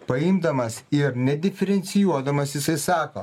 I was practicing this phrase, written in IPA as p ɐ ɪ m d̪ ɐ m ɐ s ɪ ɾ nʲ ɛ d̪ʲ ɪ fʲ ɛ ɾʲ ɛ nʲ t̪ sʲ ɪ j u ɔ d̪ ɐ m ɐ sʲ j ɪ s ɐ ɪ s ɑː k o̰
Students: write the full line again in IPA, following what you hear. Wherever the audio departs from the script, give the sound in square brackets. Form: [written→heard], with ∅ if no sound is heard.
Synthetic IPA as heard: p ɐ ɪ m d̪ ɐ m ɐ s ɪ ɾ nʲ ɛ d̪ʲ ɪ fʲ ɛ ɾʲ ɛ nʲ t̪ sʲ ɪ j u ɔ d̪ ɐ m ɐ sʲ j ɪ s ɐ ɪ s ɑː k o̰